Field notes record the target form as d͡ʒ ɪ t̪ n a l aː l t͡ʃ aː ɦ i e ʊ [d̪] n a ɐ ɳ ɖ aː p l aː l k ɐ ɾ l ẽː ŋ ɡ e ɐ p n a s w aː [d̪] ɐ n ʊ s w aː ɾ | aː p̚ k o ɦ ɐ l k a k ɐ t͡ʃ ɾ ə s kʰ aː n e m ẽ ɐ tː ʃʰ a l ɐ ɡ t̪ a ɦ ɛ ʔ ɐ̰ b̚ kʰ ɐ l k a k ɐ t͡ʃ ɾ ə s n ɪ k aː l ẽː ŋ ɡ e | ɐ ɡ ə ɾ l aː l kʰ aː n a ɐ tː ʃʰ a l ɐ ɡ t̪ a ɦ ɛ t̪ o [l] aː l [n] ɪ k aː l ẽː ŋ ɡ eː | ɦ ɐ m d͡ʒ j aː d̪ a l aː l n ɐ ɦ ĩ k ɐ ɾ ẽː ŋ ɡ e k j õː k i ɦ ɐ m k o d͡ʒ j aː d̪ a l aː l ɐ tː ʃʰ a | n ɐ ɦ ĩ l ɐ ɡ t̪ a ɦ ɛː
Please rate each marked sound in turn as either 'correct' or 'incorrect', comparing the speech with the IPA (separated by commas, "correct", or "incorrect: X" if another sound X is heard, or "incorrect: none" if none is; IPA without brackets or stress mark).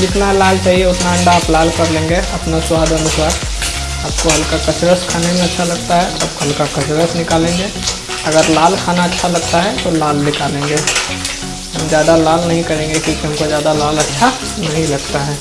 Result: incorrect: t̪, correct, correct, correct